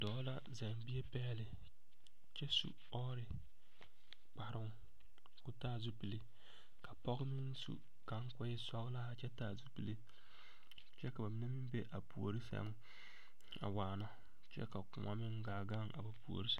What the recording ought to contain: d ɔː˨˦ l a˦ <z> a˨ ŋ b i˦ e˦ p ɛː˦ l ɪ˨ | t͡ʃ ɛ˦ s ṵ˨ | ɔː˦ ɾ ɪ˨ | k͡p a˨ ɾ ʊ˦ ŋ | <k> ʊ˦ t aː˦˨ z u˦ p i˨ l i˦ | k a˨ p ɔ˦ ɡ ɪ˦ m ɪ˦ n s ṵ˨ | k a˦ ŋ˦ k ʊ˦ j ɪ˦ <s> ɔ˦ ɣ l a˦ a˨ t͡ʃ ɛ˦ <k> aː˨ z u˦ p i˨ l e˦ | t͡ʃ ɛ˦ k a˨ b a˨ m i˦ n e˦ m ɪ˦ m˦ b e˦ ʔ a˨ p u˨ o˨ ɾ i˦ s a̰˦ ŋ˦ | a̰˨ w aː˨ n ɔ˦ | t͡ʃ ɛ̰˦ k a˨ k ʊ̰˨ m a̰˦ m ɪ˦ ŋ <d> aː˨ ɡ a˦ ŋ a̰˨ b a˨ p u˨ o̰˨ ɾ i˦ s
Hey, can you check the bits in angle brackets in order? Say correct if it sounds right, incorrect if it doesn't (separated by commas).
correct, correct, correct, incorrect, incorrect